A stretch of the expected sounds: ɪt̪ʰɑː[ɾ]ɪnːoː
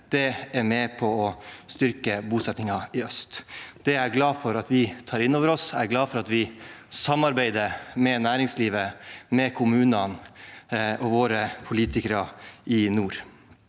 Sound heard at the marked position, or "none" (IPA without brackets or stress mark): ɾ